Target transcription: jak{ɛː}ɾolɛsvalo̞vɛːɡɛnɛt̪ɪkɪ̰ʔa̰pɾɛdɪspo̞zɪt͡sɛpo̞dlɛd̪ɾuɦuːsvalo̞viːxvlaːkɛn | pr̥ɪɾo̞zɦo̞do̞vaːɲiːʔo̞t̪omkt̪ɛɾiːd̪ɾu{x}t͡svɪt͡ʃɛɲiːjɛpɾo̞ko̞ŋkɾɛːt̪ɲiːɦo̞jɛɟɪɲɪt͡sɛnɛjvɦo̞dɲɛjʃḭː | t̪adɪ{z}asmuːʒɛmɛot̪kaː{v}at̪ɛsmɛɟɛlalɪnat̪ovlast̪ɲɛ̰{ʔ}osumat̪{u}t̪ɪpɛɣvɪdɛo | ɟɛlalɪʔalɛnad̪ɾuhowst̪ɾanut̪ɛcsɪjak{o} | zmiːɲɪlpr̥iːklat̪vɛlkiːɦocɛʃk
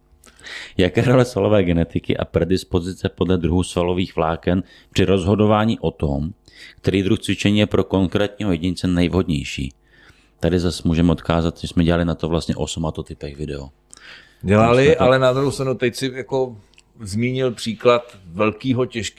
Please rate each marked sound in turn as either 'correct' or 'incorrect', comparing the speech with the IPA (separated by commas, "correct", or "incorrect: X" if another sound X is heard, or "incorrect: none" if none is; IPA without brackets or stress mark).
correct, correct, correct, incorrect: z, correct, incorrect: o, correct